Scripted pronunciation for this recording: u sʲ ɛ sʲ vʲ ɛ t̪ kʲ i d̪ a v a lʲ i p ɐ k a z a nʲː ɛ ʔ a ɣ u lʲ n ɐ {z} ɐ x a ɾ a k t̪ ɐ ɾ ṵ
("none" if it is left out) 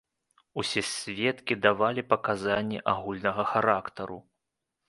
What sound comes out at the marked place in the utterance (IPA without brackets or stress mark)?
ɣ